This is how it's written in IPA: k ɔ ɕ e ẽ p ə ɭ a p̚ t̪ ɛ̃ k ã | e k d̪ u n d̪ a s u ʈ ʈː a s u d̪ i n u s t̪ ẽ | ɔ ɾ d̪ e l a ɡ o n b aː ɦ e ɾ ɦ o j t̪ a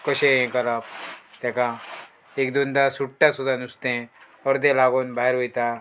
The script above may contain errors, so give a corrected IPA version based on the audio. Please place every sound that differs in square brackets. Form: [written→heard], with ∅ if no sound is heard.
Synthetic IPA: k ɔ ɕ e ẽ [p→k] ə [ɭ→l] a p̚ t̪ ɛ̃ k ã | e k d̪ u n d̪ a s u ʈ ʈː a s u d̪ [i→a] n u s t̪ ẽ | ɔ ɾ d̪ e l a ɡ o n b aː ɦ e ɾ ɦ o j t̪ a

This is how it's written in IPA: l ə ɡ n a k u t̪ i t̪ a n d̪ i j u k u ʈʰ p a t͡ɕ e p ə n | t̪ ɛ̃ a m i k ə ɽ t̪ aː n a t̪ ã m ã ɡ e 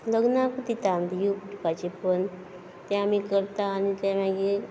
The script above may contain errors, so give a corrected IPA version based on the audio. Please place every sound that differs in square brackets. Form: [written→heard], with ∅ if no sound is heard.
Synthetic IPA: l ə ɡ n a k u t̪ i t̪ a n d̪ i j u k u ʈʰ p a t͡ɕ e p ə n | t̪ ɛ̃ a m i k ə [ɽ→ɾ] t̪ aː n [a→i] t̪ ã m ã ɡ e

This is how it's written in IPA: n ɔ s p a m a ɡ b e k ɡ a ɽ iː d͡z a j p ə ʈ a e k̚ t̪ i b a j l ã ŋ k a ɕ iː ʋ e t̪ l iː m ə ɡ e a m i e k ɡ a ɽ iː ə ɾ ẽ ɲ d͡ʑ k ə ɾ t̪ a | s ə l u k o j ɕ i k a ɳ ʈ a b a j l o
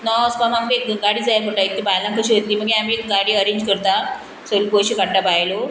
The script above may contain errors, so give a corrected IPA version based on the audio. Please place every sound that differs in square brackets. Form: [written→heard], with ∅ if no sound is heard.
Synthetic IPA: n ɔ s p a m a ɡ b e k ɡ a ɽ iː d͡z a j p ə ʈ a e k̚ t̪ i b a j l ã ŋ k [a→ə] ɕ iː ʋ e t̪ l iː m ə ɡ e a m i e k ɡ a ɽ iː ə ɾ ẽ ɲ d͡ʑ k ə ɾ t̪ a | s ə l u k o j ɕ i k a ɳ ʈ a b a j l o

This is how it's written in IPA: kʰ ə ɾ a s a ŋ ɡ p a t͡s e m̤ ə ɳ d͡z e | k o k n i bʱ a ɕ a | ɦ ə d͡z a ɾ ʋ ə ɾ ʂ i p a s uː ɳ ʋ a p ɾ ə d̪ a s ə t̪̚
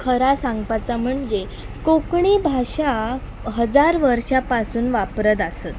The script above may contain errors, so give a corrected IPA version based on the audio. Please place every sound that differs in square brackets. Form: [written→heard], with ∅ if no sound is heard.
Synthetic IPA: kʰ ə ɾ a s a ŋ ɡ p a t͡s [e→a] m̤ ə ɳ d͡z e | k o k [n→ɳ] i bʱ a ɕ a | ɦ ə d͡z a ɾ ʋ ə ɾ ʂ [i→a] p a s uː [ɳ→n] ʋ a p ɾ ə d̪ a s ə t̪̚

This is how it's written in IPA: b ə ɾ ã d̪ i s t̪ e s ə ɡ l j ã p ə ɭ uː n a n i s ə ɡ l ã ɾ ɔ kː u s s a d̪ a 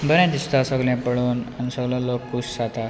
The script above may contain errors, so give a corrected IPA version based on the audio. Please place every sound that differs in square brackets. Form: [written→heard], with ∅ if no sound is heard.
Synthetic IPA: b ə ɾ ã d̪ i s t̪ [e→a] s ə ɡ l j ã p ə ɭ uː n a n i s ə ɡ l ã [ɾ→l] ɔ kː u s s a [d̪→t̪] a

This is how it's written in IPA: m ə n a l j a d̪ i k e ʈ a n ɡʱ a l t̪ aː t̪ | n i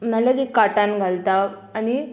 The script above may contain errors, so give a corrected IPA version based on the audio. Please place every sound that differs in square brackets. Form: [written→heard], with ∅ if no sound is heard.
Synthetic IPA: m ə n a l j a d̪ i k [e→a] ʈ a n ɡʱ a l t̪ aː [t̪→∅] | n i

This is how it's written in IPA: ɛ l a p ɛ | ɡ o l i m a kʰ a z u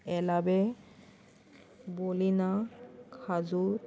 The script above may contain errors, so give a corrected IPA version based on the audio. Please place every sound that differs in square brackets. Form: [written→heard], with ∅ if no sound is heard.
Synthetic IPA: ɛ l a [p→b] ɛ | [ɡ→b] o l i [m→n] a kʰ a z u

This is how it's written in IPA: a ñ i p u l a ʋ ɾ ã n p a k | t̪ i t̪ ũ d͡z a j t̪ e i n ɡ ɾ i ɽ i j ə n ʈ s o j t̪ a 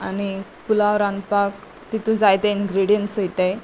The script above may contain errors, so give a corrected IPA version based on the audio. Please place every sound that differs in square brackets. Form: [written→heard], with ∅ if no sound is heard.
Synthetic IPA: a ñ i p u l a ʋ ɾ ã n p a k | t̪ i t̪ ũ d͡z a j t̪ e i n ɡ ɾ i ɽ i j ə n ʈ s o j t̪ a

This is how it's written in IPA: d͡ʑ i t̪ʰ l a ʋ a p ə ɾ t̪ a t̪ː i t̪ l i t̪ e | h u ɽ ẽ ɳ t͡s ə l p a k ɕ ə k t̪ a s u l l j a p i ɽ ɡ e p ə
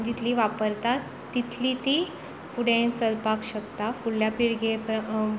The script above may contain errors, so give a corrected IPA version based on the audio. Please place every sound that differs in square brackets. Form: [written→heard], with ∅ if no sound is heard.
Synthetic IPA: d͡ʑ i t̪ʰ l [a→i] ʋ a p ə ɾ t̪ a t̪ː i [t̪→t̪ʰ] l i t̪ [e→i] | [h→f] u ɽ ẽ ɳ t͡s ə l p a k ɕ ə k t̪ a [s→f] u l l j a p i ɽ ɡ e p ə

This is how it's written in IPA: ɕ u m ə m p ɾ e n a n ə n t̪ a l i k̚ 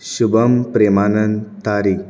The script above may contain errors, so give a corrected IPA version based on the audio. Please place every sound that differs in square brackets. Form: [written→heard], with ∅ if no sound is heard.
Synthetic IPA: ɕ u [m→b] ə m p ɾ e [n→m] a n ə n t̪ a [l→ɾ] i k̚

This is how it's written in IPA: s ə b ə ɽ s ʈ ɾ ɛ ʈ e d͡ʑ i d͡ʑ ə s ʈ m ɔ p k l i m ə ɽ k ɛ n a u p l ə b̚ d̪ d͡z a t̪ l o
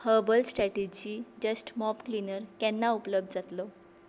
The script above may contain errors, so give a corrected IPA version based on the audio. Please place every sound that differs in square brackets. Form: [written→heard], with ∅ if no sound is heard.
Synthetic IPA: [s→h] ə b ə [ɽ→l] s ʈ ɾ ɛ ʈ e d͡ʑ i d͡ʑ ə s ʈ m ɔ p k l i [m→n] ə [ɽ→ɾ] k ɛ [n→nː] a u p l ə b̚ d̪ d͡z a t̪ l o

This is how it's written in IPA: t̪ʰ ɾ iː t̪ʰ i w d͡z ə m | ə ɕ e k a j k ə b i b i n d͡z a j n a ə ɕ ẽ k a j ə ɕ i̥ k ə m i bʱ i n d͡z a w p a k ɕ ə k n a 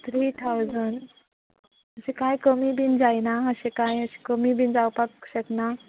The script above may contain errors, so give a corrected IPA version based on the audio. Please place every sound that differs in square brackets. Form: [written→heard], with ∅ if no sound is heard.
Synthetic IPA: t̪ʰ ɾ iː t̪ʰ [i→a] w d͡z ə [m→n] | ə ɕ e k a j k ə [b→m] i b i n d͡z a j n a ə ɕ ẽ k a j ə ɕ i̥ k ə m i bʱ i n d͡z a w p a k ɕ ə k n a

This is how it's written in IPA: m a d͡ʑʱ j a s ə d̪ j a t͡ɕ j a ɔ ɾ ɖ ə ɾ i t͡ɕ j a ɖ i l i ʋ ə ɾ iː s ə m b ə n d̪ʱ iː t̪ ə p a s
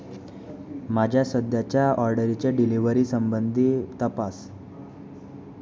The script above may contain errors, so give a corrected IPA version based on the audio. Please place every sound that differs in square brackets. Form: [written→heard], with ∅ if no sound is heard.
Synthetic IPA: m a d͡ʑʱ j a s ə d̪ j a t͡ɕ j a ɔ ɾ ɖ ə ɾ i t͡ɕ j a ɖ i l i ʋ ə ɾ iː s ə m b ə n d̪ʱ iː t̪ ə p a s

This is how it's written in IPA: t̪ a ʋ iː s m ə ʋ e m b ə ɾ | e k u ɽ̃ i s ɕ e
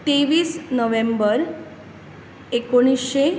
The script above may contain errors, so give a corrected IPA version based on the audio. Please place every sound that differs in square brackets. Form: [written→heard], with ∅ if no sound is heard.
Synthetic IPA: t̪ [a→e] ʋ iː s [m→n] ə ʋ e m b ə ɾ | e k [u→o] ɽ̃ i s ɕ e

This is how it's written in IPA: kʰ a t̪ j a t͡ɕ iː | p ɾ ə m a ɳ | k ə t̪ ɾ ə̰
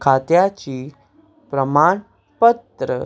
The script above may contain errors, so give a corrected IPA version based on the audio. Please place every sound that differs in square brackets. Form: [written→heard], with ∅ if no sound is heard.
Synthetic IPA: kʰ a t̪ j a t͡ɕ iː | p ɾ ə m a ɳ | [k→p] ə t̪ ɾ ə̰

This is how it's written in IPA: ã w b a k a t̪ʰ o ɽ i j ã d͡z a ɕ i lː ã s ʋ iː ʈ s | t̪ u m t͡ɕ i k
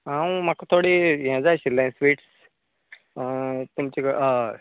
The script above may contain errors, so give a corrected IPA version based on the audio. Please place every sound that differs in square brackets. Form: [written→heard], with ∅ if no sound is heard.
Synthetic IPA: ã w [b→m] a k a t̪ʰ o ɽ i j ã d͡z a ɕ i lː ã s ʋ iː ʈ s | t̪ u m t͡ɕ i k

